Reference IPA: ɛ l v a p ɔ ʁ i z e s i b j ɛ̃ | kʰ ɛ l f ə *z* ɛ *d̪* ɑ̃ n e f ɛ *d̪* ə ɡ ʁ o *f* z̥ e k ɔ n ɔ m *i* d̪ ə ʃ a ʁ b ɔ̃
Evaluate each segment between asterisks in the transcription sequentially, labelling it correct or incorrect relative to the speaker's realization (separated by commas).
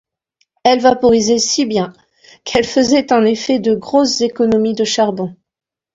correct, incorrect, correct, incorrect, correct